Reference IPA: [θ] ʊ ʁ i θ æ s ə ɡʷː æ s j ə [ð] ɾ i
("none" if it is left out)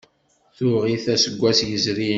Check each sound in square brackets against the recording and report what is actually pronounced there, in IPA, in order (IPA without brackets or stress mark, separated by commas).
θ, z